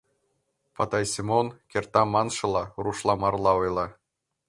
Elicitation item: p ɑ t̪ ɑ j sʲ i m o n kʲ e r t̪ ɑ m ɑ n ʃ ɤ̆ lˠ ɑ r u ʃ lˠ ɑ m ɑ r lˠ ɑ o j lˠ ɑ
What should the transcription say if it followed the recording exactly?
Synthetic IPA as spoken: p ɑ t̪ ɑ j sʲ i m o n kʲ e r t̪ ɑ m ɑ n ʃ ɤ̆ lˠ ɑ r u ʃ lˠ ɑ m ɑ r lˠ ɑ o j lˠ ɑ